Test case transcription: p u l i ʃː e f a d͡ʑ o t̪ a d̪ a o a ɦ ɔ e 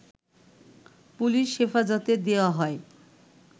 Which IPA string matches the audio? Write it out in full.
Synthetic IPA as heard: p u l i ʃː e f a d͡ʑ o t̪ e d̪ e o a ɦ ɔ e